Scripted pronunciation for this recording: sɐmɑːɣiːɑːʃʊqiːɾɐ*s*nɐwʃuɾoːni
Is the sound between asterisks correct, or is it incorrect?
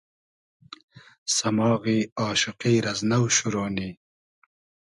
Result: incorrect